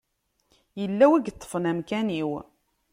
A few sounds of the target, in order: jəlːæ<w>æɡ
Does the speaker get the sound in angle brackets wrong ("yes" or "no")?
no